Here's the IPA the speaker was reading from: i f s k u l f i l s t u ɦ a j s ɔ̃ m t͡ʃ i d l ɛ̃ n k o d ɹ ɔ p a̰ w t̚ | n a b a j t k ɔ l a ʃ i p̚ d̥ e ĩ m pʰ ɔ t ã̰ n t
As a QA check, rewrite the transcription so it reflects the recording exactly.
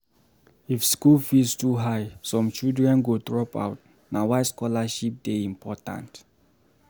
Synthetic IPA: i f s k u l f i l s t u ɦ a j s ɔ̃ m t͡ʃ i d ɹ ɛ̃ n ɡ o d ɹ ɔ p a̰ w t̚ | n a w a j s k ɔ l a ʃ i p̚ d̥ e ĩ m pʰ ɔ t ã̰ n t